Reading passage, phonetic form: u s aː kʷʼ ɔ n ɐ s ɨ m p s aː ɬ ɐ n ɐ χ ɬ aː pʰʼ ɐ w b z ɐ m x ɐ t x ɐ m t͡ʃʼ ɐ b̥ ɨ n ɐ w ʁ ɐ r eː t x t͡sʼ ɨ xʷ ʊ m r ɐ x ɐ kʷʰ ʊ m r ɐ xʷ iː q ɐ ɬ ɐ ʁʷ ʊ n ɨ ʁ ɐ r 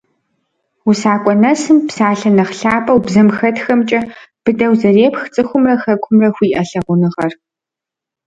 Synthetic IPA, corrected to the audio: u s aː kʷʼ ɔ n ɐ s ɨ m p s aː ɬ ɐ n ɐ χ ɬ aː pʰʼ ɐ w b z ɐ m x ɐ t x ɐ m t͡ʃʼ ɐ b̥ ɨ d ɐ w z ɐ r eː p x t͡sʼ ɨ xʷ ʊ m r ɐ x ɐ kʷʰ ʊ m r ɐ xʷ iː ʔ ɐ ɬ ɐ ʁʷ ʊ n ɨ ʁ ɐ r